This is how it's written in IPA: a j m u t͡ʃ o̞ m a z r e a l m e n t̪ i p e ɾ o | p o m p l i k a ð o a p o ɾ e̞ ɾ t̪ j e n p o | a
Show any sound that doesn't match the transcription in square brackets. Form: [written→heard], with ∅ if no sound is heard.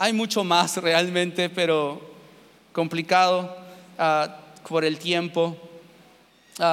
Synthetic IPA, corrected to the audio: a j m u t͡ʃ o̞ m a [z→s] r e a l m [e→ẽ] n t̪ [i→e] p e ɾ o | [p→k] o m p l i k a ð o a p o ɾ e̞ [ɾ→l] t̪ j e [n→m] p o | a